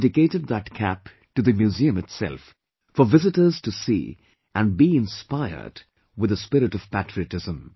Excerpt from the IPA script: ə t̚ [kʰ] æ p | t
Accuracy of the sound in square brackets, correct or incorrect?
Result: correct